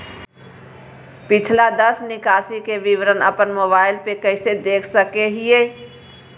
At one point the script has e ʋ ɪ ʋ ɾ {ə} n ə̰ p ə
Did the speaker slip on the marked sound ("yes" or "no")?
no